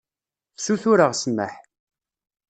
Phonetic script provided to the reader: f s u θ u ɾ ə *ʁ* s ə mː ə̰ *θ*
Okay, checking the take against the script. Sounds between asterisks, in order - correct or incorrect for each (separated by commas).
correct, incorrect